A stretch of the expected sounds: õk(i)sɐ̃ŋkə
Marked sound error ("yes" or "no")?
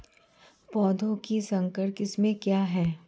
no